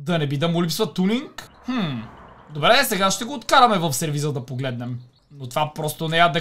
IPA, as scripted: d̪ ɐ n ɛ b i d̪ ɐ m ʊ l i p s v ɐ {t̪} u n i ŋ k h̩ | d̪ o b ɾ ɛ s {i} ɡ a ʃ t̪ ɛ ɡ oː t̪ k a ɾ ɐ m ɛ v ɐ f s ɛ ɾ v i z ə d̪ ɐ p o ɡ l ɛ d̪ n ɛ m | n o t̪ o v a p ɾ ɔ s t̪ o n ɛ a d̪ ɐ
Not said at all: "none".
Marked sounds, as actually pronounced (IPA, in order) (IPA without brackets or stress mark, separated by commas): t̪, ɛ